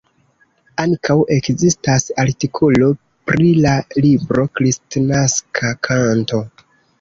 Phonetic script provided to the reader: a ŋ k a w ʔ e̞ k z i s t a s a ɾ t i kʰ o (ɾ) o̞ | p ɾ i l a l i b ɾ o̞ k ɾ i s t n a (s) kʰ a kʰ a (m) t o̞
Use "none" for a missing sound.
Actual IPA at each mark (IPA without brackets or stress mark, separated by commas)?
l, s, n